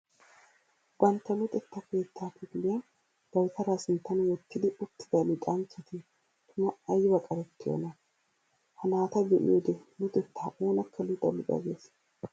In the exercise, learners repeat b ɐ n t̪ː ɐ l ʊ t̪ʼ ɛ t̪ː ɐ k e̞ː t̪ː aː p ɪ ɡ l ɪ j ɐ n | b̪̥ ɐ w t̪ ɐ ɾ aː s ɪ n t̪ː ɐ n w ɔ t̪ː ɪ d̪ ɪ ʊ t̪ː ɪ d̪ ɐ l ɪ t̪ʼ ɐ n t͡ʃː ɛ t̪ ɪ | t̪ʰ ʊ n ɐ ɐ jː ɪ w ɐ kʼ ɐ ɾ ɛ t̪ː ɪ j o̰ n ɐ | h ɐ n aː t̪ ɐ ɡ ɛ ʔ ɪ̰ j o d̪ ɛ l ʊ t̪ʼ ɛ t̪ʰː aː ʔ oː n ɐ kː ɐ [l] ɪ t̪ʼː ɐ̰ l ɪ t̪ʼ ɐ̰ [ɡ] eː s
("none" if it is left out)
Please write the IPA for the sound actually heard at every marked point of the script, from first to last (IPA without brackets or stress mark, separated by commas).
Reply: l, ɡ